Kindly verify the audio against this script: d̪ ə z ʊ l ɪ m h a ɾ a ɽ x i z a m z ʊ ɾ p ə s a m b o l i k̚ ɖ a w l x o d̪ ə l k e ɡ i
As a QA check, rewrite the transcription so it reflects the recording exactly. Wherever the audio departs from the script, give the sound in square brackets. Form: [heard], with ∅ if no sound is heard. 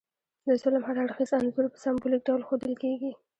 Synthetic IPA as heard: d̪ ə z ʊ l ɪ m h a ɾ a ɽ x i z a [n] z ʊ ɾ p ə s a m b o l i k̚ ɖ a w l x o d̪ ə l k e ɡ i